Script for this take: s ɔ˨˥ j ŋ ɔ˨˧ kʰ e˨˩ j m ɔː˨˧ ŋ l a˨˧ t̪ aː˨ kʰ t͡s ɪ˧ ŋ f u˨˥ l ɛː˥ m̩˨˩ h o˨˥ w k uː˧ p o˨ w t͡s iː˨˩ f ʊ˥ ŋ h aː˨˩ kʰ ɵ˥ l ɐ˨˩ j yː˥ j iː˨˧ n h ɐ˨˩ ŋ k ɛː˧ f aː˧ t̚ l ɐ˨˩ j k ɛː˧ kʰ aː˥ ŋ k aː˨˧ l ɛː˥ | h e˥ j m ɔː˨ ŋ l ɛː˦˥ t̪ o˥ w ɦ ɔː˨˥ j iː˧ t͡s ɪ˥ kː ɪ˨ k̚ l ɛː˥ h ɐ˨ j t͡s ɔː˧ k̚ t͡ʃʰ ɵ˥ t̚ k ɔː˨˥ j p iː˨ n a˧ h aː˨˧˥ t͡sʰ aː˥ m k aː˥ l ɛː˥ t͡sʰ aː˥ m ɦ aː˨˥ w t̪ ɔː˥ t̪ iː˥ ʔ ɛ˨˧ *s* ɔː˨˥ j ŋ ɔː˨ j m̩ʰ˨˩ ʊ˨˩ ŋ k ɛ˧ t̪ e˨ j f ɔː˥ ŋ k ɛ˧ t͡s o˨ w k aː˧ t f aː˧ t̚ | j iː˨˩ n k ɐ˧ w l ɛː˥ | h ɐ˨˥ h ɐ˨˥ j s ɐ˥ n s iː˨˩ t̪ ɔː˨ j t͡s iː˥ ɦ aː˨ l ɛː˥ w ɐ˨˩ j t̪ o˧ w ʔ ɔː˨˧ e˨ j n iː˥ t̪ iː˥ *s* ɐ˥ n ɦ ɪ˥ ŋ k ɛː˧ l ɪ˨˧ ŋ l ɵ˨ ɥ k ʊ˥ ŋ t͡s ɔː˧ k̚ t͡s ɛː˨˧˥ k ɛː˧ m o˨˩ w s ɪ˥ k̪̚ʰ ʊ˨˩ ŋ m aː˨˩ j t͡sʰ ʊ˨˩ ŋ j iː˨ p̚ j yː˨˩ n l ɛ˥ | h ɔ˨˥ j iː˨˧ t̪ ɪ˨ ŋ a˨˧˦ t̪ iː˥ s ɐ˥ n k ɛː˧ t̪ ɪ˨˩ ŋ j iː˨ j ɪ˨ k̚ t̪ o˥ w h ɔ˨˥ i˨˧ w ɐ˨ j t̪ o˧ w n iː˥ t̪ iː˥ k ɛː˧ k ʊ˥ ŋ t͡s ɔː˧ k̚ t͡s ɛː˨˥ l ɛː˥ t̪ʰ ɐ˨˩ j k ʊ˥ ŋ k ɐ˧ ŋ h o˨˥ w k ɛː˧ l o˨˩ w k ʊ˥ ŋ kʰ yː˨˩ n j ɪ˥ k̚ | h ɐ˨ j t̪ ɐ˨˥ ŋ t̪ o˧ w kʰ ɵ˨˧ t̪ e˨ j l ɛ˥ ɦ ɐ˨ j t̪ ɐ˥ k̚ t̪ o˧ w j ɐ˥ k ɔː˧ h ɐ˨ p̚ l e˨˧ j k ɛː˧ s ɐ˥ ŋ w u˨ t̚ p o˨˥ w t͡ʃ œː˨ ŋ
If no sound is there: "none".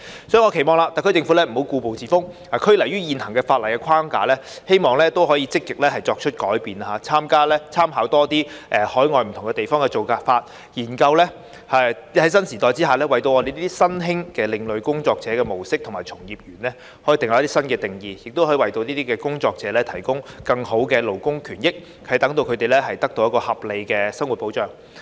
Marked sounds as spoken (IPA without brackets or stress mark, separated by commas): h, s